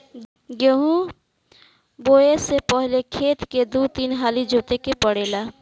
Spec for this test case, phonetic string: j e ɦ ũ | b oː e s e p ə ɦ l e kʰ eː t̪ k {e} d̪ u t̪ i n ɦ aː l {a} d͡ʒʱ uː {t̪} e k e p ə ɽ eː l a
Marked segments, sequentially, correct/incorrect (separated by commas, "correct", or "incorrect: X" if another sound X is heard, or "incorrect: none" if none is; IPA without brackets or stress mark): correct, incorrect: i, correct